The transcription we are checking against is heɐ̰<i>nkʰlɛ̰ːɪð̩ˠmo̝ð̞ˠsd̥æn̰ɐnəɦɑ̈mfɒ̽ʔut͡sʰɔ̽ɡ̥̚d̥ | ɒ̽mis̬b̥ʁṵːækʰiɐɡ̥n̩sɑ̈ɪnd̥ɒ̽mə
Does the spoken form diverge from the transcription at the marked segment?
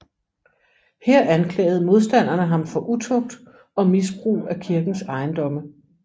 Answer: yes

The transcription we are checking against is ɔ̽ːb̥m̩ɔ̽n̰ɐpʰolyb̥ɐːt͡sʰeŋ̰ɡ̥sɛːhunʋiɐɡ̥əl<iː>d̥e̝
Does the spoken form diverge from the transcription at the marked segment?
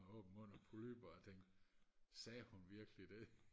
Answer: yes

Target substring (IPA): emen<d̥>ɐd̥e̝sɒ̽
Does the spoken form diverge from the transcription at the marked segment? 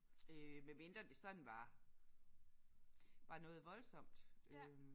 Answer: no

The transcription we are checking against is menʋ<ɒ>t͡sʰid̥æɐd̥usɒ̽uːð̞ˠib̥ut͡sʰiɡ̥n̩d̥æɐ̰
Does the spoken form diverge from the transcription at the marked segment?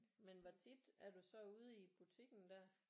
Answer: no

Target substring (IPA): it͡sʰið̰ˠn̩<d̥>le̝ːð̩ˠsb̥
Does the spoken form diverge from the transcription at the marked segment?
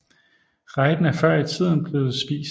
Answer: yes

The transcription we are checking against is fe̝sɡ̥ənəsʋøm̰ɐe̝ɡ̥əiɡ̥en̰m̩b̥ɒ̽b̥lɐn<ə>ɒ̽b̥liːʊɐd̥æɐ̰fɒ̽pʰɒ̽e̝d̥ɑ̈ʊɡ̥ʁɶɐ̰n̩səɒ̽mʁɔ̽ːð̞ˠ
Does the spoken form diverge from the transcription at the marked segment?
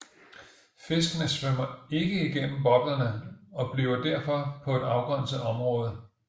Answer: no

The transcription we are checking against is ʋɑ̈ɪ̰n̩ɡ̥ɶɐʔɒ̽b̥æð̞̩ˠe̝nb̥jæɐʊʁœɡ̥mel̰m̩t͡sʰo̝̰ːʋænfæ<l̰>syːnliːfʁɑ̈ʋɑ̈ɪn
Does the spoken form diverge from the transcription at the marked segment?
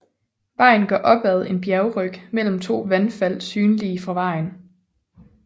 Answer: no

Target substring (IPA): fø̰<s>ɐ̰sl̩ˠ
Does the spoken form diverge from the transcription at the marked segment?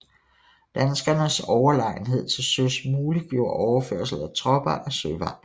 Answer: yes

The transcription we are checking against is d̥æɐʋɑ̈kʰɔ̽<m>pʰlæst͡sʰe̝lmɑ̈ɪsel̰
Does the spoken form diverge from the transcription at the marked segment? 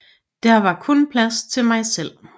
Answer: yes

